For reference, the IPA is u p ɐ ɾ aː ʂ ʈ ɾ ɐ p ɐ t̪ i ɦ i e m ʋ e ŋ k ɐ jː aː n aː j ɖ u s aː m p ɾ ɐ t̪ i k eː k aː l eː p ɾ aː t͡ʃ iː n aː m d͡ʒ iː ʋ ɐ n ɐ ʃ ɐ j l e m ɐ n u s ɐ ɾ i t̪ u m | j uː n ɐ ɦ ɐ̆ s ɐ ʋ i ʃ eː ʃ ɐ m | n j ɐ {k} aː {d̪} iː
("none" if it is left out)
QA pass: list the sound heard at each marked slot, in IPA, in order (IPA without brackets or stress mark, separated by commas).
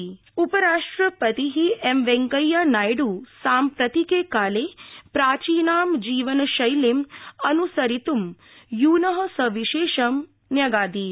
ɡ, d̪